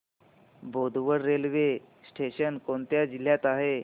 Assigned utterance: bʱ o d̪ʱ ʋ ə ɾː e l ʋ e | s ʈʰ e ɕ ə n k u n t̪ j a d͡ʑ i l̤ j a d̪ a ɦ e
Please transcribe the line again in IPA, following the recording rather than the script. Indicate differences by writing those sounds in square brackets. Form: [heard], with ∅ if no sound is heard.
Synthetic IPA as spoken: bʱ o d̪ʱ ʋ ə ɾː e l ʋ e | s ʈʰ e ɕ ə n k [o] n t̪ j a d͡ʑ i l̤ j a [t̪] a ɦ e